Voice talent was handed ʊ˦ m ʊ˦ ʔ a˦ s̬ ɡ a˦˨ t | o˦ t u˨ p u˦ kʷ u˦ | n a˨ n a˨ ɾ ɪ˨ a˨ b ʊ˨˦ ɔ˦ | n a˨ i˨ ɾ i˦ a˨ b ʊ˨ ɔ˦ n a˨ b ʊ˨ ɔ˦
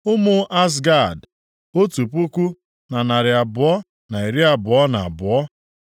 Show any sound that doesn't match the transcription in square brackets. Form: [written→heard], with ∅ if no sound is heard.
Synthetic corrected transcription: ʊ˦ m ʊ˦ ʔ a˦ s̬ ɡ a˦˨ [t→d] | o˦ t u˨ p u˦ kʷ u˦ | n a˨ n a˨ ɾ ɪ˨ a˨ b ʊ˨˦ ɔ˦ | n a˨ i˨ ɾ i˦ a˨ b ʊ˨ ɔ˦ n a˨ b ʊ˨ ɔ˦